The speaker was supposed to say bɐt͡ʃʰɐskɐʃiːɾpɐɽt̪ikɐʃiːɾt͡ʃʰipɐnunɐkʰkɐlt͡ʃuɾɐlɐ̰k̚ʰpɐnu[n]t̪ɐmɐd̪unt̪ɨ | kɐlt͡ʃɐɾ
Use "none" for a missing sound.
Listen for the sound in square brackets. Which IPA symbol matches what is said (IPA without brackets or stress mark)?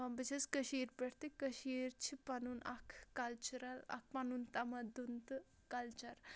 n